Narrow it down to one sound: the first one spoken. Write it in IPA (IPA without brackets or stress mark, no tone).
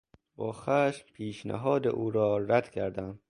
b